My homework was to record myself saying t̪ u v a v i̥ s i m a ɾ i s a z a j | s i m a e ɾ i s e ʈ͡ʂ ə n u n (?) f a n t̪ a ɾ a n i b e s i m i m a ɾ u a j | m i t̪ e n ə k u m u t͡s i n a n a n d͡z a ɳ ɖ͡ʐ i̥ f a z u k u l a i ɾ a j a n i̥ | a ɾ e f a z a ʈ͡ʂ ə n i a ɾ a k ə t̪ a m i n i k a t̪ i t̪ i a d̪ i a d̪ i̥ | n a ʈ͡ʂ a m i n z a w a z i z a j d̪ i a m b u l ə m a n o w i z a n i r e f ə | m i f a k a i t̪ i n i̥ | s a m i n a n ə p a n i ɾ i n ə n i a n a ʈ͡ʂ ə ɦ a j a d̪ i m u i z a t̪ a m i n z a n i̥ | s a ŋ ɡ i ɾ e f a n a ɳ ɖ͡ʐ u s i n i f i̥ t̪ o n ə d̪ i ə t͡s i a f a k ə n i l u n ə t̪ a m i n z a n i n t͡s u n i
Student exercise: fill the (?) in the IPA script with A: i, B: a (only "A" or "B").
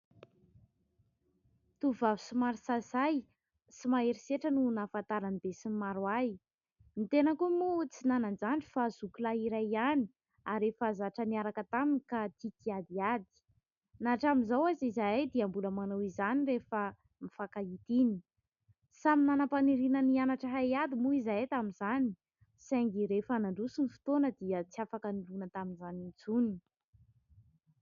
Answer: B